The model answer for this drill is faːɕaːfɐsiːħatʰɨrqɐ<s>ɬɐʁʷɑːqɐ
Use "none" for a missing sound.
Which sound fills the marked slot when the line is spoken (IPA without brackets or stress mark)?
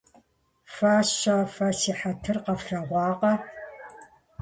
f